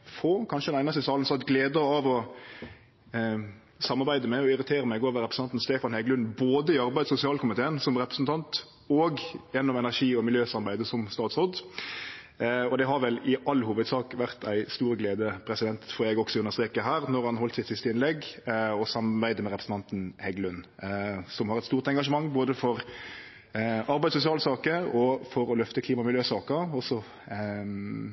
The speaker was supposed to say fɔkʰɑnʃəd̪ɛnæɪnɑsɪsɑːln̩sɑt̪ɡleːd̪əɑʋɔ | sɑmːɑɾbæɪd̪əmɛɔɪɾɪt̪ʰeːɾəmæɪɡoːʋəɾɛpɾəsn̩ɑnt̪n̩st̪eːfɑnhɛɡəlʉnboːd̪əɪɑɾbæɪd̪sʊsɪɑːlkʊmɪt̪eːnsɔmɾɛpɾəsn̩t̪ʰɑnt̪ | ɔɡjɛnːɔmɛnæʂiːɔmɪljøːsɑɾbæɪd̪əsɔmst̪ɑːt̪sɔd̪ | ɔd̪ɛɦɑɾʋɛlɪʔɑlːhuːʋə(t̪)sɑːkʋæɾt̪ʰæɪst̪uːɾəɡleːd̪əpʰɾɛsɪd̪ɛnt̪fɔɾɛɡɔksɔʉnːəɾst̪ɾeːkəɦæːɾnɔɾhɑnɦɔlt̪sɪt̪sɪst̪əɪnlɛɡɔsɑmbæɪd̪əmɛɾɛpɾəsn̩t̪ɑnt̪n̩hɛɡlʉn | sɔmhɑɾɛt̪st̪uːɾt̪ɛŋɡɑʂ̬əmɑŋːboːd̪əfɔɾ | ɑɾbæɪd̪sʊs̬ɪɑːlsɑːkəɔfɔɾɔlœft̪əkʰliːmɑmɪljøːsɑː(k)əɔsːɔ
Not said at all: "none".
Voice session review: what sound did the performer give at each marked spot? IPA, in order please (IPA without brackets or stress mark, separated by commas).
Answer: d̪, k